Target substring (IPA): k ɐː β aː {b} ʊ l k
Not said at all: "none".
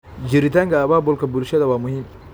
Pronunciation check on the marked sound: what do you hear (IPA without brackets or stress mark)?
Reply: b